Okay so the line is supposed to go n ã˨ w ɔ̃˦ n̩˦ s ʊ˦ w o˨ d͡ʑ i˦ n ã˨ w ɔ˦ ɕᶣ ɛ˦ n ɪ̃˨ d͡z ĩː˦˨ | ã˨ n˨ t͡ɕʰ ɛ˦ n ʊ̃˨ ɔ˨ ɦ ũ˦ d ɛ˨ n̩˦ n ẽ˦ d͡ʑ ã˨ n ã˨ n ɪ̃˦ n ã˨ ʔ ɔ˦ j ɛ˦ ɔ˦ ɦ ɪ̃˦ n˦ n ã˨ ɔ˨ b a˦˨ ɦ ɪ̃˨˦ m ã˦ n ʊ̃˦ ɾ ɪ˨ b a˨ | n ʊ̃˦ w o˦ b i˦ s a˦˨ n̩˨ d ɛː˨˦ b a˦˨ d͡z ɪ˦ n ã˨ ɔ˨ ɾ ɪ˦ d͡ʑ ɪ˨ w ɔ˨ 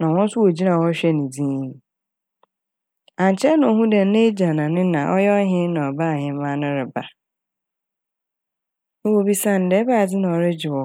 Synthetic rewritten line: n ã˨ w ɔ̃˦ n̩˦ s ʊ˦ w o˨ d͡ʑ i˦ n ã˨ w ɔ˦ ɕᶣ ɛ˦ n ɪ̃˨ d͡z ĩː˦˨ | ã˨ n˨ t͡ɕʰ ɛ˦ n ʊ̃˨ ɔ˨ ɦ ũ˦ d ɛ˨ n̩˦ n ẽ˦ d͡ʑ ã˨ n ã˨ n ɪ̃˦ n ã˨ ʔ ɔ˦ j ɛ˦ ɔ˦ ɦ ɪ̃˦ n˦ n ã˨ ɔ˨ b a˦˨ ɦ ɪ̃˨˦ m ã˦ n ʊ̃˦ ɾ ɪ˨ b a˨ | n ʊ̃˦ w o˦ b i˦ s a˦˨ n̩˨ d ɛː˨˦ b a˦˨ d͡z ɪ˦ n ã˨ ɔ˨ ɾ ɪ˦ d͡ʑ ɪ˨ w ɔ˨

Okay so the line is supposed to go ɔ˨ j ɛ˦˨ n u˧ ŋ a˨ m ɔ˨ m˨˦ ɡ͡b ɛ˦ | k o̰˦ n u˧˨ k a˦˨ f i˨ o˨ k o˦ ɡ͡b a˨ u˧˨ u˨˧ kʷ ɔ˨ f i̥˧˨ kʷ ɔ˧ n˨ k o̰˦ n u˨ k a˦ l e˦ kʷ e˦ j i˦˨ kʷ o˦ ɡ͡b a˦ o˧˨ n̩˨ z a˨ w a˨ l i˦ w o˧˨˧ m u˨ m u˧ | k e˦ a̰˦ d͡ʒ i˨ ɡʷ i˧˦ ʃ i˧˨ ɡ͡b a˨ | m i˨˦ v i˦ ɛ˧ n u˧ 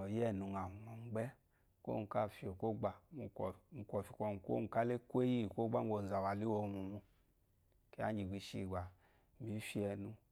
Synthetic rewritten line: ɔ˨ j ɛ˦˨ n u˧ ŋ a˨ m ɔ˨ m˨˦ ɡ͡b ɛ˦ | k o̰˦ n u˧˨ k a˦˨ f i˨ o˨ k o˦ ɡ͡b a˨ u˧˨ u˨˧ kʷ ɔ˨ f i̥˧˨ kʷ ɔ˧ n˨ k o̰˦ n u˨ k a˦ l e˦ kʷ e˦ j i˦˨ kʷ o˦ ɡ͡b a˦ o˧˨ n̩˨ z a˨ w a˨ l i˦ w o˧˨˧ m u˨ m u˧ | k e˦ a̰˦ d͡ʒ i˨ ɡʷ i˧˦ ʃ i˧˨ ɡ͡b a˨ | m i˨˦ f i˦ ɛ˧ n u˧

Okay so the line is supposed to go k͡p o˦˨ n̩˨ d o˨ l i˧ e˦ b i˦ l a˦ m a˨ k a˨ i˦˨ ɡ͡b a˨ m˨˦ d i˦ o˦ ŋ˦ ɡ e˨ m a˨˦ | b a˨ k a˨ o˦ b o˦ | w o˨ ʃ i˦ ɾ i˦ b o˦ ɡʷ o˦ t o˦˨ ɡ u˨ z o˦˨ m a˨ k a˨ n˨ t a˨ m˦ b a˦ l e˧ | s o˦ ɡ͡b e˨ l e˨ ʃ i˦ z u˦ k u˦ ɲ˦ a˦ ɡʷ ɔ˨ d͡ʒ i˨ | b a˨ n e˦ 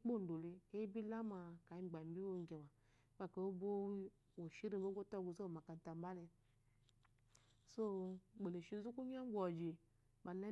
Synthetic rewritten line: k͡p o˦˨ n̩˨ d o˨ l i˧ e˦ b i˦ l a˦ m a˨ k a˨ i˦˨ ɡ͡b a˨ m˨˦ b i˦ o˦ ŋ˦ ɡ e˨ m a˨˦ | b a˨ k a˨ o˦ b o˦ | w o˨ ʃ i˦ ɾ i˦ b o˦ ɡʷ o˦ t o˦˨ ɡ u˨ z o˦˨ m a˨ k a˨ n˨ t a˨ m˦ b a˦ l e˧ | s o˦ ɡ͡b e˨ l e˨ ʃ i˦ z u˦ k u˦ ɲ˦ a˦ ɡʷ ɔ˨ d͡ʒ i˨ | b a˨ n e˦

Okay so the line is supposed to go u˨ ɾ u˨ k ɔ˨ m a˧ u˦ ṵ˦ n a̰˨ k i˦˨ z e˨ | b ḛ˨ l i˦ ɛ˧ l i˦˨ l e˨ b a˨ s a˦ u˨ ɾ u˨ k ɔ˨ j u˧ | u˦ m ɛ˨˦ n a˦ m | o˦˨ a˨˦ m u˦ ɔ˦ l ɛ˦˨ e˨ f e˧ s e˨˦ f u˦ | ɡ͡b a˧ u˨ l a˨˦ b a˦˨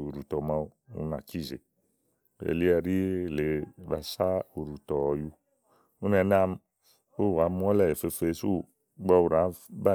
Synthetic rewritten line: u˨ ɾ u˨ t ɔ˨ m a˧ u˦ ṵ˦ n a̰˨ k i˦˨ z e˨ | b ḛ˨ l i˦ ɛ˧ ɾ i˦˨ l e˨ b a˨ s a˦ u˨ ɾ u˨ t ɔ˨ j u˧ | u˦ n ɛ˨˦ n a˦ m | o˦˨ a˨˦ m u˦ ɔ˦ l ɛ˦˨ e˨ f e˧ f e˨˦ s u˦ | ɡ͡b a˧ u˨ ɾ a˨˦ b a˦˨

